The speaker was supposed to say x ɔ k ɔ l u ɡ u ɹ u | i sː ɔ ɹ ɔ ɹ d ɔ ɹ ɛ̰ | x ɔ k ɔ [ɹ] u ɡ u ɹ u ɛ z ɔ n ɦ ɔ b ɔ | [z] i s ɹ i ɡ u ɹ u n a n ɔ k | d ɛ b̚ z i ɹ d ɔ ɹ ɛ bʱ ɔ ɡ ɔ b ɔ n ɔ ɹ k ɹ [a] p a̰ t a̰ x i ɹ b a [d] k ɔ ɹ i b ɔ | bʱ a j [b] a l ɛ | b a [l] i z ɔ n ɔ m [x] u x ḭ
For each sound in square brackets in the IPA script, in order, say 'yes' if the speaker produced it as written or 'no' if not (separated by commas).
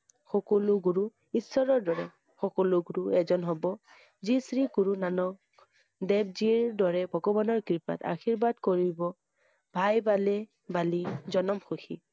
no, yes, no, yes, yes, yes, yes